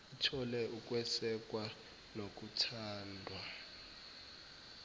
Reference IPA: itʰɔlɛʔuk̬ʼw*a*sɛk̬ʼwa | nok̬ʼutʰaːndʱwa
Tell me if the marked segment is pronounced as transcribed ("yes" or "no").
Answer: no